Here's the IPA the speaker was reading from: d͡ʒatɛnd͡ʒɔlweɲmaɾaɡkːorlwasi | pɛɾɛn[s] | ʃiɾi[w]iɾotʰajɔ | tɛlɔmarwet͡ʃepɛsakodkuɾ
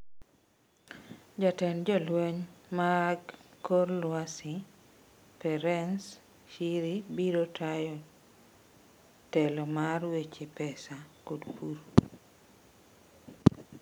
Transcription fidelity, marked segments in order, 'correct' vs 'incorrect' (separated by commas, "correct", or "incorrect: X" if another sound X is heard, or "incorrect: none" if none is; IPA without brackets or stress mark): correct, incorrect: b